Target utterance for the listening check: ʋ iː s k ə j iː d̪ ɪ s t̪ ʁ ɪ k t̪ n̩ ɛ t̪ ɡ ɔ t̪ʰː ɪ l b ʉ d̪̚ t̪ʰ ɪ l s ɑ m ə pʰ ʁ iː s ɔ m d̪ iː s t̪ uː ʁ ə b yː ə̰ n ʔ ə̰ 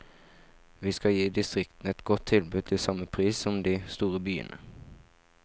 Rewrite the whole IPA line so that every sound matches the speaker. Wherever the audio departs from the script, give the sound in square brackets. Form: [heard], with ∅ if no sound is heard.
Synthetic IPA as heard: ʋ iː s k [ɑ] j iː d̪ ɪ s t̪ ʁ ɪ k t̪ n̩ ɛ t̪ ɡ ɔ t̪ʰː ɪ l b ʉ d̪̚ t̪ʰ ɪ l s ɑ m ə pʰ ʁ iː s ɔ m d̪ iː s t̪ uː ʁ ə b yː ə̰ n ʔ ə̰